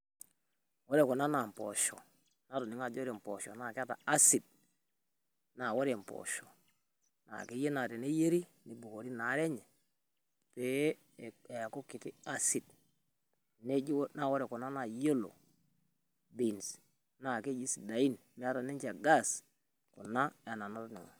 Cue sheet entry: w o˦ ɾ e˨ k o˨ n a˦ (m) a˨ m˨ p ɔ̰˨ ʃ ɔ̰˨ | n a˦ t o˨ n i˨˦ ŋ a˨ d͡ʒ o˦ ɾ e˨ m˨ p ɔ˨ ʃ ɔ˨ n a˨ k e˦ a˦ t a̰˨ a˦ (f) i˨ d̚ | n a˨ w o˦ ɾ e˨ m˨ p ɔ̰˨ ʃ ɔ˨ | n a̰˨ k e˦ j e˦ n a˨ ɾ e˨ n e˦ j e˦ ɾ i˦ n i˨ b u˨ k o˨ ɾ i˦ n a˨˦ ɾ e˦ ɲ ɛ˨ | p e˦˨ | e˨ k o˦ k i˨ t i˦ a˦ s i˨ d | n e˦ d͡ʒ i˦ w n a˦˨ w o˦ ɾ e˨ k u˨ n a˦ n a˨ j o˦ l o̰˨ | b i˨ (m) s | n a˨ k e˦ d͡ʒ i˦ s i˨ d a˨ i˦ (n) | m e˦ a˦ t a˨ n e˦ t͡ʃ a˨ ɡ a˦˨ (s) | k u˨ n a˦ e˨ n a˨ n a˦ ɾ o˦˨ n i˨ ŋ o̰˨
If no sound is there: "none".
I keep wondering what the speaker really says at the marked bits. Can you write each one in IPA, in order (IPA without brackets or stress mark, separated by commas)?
n, s, n, n, s